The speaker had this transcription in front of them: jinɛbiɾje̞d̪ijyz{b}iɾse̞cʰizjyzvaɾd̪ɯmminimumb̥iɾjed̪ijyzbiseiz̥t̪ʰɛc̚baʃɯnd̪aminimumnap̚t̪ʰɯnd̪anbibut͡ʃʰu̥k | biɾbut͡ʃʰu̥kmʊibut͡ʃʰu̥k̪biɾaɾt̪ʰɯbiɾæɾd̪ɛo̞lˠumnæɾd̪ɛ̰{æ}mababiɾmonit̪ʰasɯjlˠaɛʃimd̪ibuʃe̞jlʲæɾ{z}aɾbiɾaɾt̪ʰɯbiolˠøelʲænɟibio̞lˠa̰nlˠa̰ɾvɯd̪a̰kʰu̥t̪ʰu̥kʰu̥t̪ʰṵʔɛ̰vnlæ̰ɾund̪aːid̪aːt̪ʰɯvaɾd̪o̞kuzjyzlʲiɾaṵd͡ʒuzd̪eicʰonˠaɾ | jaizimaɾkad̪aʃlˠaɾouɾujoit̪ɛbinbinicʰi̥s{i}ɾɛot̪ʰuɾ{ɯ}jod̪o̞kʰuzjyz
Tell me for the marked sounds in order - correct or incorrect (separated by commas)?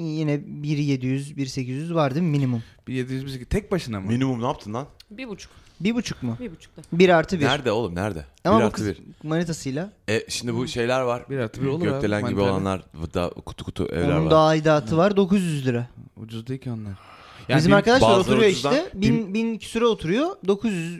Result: correct, incorrect, incorrect, incorrect, incorrect